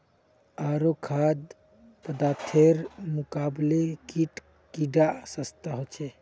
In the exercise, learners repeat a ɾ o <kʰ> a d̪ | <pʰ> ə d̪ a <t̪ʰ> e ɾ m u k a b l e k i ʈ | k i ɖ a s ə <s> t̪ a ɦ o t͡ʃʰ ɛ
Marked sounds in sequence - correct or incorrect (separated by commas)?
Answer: correct, incorrect, correct, correct